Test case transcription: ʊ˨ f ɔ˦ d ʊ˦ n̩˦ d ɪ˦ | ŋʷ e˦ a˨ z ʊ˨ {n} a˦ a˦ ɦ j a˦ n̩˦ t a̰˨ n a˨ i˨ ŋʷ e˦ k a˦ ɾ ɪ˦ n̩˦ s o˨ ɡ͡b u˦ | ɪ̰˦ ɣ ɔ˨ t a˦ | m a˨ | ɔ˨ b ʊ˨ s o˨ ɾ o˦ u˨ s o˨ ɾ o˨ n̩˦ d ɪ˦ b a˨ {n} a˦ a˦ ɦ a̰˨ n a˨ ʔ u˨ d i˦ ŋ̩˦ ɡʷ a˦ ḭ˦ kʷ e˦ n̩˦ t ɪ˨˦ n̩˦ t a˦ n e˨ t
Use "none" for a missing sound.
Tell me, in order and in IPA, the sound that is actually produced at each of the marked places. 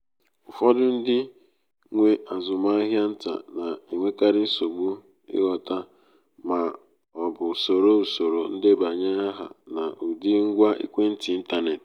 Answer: m, ɲ

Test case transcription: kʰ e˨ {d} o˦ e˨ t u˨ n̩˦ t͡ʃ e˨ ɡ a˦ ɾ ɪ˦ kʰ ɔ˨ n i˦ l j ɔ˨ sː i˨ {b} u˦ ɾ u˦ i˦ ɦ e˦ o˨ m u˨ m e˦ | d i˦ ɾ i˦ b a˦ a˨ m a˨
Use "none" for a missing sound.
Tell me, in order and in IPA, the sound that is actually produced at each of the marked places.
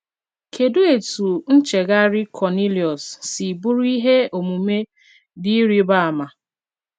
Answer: d, b

